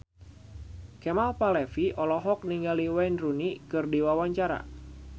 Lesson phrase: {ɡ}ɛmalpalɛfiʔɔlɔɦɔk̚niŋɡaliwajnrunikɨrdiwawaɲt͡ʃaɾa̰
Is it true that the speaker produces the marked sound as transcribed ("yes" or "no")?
no